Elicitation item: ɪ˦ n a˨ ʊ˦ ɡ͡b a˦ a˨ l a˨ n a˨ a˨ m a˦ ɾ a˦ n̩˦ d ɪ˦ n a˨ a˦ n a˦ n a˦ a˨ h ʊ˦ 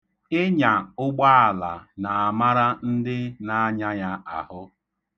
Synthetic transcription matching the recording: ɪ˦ ɲ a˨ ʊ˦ ɡ͡b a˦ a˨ l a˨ n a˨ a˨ m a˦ ɾ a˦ n̩˦ d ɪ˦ n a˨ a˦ ɲ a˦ ɲ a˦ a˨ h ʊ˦